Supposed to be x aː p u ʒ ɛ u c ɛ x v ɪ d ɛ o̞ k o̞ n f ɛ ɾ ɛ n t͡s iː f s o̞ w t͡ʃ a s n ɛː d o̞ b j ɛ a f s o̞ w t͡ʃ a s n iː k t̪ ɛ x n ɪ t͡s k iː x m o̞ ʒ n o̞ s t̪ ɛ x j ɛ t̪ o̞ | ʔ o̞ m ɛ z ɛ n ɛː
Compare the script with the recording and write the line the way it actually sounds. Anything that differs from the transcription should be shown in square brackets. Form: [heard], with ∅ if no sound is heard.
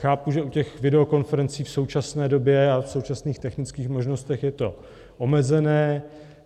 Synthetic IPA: x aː p u ʒ ɛ u c ɛ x v ɪ d ɛ o̞ k o̞ n f ɛ ɾ ɛ n t͡s iː f s o̞ w t͡ʃ a s n ɛː d o̞ b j ɛ a f s o̞ w t͡ʃ a s n iː [x] t̪ ɛ x n ɪ t͡s k iː x m o̞ ʒ n o̞ s t̪ ɛ x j ɛ t̪ o̞ | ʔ o̞ m ɛ z ɛ n ɛː